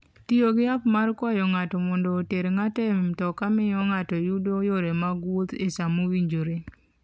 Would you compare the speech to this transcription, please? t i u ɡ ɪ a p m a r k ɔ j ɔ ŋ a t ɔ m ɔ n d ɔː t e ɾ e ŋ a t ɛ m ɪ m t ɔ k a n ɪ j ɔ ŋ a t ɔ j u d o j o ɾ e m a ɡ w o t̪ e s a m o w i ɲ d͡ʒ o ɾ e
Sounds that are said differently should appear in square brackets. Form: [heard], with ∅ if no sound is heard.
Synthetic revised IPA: t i [o] ɡ ɪ a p m a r k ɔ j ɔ ŋ a t ɔ m ɔ n d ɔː t e ɾ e ŋ a t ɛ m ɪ m t ɔ k a [m] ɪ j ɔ ŋ a t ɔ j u d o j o ɾ e m a ɡ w o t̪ e s a m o w i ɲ d͡ʒ o ɾ e